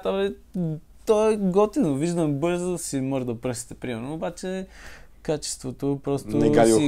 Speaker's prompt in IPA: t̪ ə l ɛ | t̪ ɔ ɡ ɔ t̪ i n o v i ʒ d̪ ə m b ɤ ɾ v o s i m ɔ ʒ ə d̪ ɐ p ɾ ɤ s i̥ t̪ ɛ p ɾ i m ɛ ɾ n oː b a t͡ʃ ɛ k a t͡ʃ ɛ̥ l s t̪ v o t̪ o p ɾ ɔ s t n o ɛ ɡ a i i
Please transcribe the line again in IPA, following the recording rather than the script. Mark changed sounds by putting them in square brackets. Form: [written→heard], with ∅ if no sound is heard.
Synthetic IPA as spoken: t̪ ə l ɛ | t̪ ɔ ɡ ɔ t̪ i n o v i ʒ d̪ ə m b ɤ ɾ [v→z] o s i m ɔ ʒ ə d̪ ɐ p ɾ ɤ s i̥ t̪ ɛ p ɾ i m ɛ ɾ n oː b a t͡ʃ ɛ k a t͡ʃ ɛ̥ [l→∅] s t̪ v o t̪ o p ɾ ɔ s t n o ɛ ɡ a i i